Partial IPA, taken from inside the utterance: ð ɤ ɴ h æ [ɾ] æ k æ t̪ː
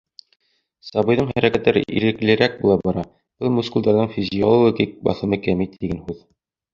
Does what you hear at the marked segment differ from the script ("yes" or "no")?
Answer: no